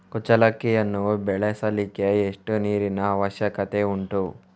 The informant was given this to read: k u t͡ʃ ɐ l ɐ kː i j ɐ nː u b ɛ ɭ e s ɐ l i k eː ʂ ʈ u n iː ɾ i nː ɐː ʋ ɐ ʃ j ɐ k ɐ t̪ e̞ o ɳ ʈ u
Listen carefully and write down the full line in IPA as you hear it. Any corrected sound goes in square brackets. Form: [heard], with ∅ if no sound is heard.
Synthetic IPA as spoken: k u t͡ʃ ɐ l ɐ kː i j ɐ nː u b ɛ ɭ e s ɐ l i k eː ʂ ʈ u n iː ɾ i [n] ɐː ʋ ɐ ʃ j ɐ k ɐ t̪ e̞ [u] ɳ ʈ u